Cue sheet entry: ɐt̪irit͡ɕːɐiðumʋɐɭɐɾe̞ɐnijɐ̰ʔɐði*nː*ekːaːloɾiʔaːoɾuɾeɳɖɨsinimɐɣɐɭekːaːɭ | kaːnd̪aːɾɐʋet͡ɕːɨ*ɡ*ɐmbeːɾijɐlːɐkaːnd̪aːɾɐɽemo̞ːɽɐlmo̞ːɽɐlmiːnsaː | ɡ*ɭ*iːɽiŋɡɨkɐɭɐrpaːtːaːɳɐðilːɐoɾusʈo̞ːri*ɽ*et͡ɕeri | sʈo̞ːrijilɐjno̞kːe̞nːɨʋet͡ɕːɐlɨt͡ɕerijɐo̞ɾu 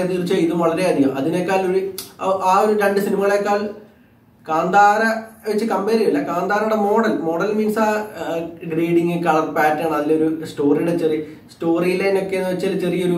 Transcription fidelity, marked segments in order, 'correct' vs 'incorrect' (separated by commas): incorrect, incorrect, incorrect, correct